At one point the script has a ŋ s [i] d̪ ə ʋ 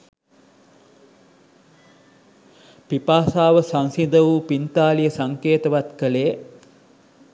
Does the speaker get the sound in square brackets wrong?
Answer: no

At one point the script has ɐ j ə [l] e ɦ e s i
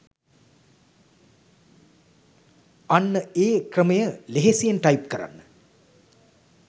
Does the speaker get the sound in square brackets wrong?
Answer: no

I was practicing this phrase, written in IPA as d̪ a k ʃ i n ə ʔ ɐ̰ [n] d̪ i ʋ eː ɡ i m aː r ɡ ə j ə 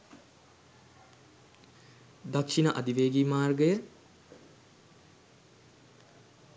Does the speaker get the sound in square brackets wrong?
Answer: yes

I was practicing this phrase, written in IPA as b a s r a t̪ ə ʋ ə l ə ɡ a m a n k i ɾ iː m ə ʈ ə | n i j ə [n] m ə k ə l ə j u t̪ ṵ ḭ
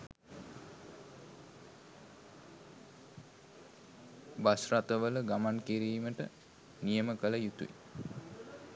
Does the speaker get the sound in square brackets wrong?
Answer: yes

